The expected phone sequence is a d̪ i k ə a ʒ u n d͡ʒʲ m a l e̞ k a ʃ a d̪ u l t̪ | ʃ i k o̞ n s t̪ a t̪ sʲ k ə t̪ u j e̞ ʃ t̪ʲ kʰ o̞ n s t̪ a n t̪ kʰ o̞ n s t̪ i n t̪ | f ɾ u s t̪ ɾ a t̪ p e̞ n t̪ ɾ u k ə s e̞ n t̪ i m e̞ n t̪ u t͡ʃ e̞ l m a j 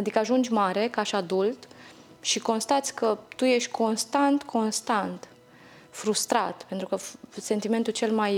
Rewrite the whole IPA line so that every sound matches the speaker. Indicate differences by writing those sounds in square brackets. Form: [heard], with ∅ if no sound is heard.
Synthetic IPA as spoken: a d̪ i k ə a ʒ u n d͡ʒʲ m a [ɾ] e̞ k a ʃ a d̪ u l t̪ | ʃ i k o̞ n s t̪ a t̪ sʲ k ə t̪ u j e̞ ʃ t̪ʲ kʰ o̞ n s t̪ a n t̪ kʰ o̞ n s t̪ [a] n t̪ | f ɾ u s t̪ ɾ a t̪ p e̞ n t̪ ɾ u k ə s e̞ n t̪ i m e̞ n t̪ u t͡ʃ e̞ l m a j